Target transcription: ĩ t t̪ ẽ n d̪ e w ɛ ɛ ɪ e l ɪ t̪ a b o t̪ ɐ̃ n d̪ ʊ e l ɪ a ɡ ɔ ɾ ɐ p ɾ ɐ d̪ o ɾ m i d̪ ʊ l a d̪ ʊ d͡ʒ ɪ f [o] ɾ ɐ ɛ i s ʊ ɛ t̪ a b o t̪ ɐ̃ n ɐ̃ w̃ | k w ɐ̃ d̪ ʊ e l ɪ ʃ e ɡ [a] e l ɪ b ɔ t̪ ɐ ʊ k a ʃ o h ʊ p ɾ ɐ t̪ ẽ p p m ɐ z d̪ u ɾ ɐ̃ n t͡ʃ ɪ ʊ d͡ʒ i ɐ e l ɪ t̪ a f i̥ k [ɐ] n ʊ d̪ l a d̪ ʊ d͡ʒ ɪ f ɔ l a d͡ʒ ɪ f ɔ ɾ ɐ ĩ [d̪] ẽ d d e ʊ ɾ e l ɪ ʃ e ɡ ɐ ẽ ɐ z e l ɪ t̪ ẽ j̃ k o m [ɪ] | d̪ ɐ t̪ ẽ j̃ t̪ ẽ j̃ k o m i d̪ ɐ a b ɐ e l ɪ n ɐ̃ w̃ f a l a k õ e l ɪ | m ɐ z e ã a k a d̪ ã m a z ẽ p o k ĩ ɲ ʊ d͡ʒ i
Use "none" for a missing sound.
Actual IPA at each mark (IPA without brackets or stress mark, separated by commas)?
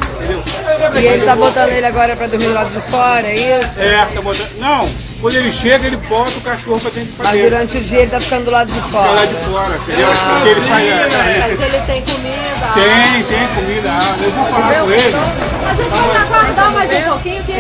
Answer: ɔ, ɐ, ɐ̃, t̪, i